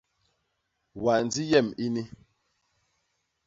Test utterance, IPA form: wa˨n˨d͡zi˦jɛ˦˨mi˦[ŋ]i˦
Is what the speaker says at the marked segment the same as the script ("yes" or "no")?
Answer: no